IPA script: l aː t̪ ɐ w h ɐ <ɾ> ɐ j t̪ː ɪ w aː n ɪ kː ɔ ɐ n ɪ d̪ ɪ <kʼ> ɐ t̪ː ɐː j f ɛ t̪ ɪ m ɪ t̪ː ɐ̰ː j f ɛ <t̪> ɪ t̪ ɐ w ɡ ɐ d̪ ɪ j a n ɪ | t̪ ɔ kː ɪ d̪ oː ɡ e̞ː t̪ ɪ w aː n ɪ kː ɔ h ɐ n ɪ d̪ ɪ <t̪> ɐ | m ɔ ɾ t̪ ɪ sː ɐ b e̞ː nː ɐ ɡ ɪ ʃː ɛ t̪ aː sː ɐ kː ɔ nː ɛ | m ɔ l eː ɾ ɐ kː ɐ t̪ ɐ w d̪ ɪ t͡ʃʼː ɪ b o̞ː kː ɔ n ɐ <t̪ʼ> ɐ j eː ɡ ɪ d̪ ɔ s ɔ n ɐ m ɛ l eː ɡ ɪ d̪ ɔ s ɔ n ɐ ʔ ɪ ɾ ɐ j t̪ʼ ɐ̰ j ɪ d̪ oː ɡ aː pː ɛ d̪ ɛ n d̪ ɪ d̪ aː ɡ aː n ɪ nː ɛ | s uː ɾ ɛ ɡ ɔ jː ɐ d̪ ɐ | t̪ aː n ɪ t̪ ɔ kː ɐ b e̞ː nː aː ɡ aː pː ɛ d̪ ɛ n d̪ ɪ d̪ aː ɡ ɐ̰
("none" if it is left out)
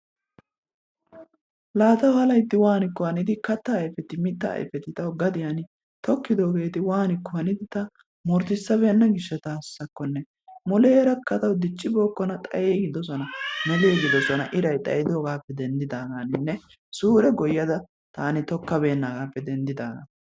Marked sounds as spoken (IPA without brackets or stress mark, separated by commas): l, k, t̪, t̪, t̪ʼ